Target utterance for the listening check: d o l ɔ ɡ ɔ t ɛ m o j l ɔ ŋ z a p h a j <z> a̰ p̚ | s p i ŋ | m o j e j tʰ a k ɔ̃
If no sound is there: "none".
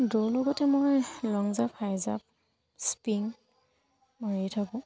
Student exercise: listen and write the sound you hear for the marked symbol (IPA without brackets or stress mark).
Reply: z